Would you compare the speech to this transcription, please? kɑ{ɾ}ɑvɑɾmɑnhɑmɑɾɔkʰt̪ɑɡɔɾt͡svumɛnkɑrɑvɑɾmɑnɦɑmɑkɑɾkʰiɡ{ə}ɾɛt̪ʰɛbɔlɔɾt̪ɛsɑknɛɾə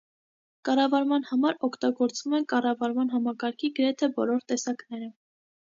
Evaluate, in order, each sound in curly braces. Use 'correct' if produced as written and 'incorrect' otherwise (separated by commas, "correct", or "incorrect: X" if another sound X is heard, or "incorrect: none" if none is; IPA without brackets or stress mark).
incorrect: r, correct